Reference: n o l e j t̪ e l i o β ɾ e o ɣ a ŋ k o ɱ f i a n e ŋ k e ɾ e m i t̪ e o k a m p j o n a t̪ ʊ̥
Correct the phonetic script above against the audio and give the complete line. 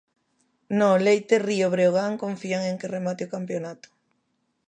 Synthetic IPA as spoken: n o l e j t̪ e r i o β ɾ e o ɣ a ŋ k o ɱ f i a ŋ e ŋ k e r e m a t̪ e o k a m p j o n a t̪ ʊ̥